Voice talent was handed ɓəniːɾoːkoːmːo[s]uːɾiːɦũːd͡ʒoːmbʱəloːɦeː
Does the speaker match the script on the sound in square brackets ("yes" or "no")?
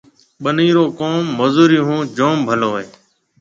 no